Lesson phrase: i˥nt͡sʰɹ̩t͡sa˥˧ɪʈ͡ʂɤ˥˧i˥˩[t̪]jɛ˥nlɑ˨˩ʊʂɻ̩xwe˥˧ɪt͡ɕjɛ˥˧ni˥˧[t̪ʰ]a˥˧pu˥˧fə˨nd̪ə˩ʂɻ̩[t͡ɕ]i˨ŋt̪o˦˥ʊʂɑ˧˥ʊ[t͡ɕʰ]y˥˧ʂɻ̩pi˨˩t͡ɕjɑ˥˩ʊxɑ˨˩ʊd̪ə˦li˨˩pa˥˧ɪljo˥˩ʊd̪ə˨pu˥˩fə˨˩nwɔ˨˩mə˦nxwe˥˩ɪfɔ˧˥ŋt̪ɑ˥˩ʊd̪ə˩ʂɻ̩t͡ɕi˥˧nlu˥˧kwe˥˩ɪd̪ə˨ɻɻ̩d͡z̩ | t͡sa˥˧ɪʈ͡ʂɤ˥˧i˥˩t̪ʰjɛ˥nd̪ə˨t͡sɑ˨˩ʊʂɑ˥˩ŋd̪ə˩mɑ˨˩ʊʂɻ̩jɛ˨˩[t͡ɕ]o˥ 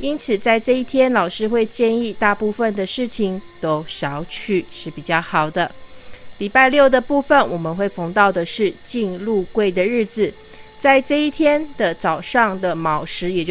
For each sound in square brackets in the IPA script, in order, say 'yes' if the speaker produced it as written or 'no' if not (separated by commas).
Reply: no, no, no, yes, yes